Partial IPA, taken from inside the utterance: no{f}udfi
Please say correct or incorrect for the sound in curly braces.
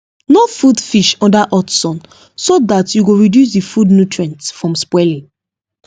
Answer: correct